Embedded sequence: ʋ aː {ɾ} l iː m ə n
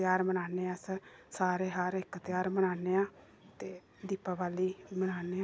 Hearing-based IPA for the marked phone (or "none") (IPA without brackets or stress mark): none